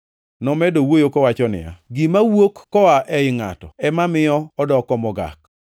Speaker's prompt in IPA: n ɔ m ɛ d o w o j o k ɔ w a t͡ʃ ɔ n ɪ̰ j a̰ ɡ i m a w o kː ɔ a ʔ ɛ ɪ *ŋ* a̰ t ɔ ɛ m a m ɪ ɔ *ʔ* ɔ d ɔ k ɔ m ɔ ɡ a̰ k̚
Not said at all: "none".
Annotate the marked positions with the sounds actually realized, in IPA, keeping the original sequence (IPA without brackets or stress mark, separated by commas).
ŋ, none